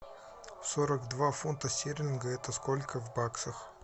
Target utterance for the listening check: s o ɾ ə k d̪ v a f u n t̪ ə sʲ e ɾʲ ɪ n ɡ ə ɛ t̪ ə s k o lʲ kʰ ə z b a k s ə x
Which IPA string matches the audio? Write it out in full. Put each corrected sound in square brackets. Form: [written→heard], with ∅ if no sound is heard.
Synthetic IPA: s o ɾ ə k d̪ v a f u n t̪ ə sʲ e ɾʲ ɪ n ɡ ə ɛ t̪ ə s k o lʲ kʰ ə [z→v] b a k s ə x

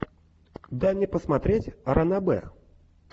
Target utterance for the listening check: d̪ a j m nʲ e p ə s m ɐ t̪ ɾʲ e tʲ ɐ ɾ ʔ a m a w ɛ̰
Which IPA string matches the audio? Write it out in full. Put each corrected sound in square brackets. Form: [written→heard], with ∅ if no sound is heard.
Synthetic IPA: d̪ a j m nʲ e p ə s m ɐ t̪ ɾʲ e tʲ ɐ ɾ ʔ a [m→n] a [w→b] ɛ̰

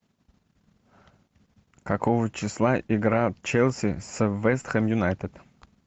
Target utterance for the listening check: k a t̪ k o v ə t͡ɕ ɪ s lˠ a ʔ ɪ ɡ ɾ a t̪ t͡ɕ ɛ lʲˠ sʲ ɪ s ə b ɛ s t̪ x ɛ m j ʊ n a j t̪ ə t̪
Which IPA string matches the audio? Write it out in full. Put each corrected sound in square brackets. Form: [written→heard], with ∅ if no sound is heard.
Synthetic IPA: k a [t̪→∅] k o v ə t͡ɕ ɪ s lˠ a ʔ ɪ ɡ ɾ a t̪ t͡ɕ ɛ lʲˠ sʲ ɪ s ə [b→v] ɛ s t̪ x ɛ m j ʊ n a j t̪ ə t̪

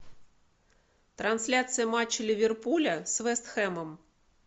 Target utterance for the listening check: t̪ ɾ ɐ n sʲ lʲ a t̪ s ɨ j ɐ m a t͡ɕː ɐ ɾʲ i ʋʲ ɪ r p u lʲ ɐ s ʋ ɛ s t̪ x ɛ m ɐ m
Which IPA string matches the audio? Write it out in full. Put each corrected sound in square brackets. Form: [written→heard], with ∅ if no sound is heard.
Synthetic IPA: t̪ ɾ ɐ n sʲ lʲ a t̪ s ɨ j ɐ m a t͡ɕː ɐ [ɾʲ→lʲ] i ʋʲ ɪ r p u lʲ ɐ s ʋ ɛ s t̪ x ɛ m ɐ m

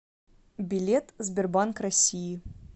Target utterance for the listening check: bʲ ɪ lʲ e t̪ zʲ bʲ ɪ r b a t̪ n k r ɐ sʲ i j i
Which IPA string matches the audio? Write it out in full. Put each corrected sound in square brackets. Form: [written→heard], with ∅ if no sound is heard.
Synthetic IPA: bʲ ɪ lʲ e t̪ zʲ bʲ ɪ r b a [t̪→∅] n k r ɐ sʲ i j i

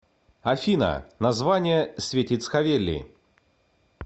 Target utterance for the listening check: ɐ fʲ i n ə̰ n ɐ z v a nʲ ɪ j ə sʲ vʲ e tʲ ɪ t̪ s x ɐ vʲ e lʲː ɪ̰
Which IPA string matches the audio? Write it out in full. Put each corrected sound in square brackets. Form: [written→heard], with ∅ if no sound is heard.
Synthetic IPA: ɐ fʲ i n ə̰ n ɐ z v a nʲ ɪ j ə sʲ vʲ e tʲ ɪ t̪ s x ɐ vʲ e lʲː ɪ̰

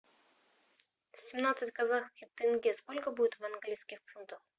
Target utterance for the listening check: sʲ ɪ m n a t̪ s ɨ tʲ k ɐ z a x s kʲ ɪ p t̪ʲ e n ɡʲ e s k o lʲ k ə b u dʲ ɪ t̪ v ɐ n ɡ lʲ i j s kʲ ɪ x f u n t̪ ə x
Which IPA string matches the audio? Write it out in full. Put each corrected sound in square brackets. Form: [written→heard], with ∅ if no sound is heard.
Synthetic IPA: sʲ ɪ m n a t̪ s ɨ tʲ k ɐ z a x s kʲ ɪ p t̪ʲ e n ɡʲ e s k o lʲ k ə b u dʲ ɪ t̪ v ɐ n ɡ lʲ i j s kʲ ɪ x f u n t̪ ə x

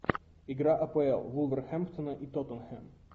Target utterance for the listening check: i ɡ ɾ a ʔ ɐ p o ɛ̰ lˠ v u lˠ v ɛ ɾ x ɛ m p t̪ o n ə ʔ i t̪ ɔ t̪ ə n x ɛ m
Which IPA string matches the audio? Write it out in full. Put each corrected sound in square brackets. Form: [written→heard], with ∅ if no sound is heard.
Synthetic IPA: i ɡ ɾ a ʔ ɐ p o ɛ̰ lˠ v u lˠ v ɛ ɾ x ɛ m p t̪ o n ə ʔ i t̪ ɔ t̪ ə n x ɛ m

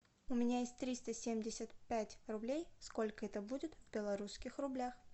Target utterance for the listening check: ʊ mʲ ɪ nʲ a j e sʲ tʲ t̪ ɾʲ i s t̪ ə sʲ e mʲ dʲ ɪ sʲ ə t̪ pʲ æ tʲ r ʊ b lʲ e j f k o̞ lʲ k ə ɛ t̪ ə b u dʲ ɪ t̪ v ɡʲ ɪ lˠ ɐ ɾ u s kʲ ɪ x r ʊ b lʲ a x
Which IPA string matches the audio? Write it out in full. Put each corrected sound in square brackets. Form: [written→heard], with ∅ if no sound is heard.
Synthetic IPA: ʊ mʲ ɪ nʲ a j e sʲ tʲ t̪ ɾʲ i s t̪ ə sʲ e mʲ dʲ ɪ sʲ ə t̪ pʲ æ tʲ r ʊ b lʲ e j [f→s] k o̞ lʲ k ə ɛ t̪ ə b u dʲ ɪ t̪ v [ɡʲ→bʲ] ɪ lˠ ɐ ɾ u s kʲ ɪ x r ʊ b lʲ a x

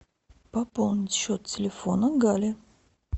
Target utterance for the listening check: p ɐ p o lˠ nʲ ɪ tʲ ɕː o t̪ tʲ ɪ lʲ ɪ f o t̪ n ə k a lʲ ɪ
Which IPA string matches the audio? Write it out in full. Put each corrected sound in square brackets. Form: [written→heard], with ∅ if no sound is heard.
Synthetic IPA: p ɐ p o lˠ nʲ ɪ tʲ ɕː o t̪ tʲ ɪ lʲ ɪ f o [t̪→∅] n ə [k→ɡ] a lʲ ɪ

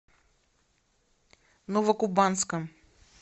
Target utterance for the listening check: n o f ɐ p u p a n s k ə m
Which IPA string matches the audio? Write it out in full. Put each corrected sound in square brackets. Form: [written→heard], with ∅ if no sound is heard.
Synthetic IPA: n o [f→v] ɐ [p→k] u [p→b] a n s k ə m

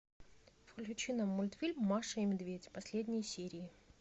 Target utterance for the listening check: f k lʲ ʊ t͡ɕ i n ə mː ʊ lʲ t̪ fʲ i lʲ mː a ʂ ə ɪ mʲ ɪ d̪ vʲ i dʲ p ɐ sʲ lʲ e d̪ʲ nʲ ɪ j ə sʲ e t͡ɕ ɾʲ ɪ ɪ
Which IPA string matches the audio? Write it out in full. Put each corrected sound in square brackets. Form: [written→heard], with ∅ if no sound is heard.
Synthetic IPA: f k lʲ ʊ t͡ɕ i n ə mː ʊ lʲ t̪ fʲ i lʲ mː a ʂ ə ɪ mʲ ɪ d̪ vʲ [i→e] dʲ p ɐ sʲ lʲ e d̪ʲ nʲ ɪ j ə sʲ e [t͡ɕ→∅] ɾʲ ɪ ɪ

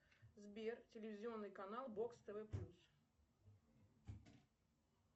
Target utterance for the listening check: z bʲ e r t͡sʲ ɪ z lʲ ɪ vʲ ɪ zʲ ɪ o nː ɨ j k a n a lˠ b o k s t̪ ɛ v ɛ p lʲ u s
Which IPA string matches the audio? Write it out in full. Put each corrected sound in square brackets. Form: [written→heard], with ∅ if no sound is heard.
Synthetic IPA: z bʲ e r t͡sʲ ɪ [z→∅] lʲ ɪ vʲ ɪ zʲ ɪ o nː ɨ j k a n a lˠ b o k s t̪ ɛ v ɛ p lʲ u s

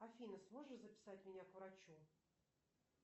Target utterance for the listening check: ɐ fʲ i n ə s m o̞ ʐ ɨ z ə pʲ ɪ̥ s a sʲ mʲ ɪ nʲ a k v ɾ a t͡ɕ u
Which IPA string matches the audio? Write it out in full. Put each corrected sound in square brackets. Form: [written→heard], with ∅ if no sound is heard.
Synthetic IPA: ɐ fʲ i n ə s m o̞ ʐ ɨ z ə pʲ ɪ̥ s a [sʲ→tʲ] mʲ ɪ nʲ a k v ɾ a t͡ɕ u

